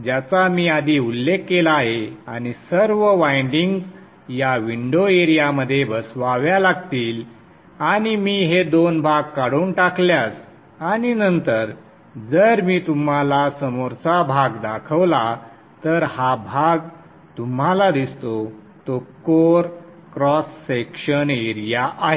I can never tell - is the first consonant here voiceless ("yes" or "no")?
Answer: no